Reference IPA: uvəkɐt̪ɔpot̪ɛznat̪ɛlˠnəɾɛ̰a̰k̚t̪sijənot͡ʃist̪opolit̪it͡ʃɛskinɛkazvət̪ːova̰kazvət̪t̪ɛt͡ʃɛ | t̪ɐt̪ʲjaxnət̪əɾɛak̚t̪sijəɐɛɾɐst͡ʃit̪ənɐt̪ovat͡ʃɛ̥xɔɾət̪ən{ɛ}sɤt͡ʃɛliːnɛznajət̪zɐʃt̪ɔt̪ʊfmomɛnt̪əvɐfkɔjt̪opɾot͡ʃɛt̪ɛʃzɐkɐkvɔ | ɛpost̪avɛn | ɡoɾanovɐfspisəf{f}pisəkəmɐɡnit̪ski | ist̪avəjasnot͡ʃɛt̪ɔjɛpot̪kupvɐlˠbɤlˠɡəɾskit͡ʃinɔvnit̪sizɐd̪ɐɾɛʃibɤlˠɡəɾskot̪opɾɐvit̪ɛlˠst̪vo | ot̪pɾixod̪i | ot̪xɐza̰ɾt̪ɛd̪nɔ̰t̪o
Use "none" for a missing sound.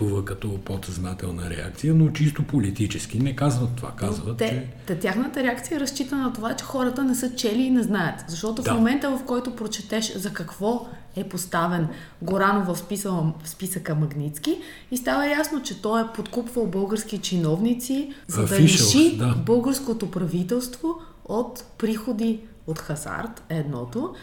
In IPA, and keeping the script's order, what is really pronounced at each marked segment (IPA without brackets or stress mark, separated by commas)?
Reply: ɛ, s